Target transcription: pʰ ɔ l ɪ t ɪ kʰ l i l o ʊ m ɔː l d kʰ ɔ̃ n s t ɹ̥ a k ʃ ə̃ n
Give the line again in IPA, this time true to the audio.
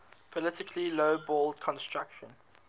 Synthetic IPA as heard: pʰ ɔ l ɪ t ɪ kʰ l i l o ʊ b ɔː l d kʰ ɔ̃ n s t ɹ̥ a k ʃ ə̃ n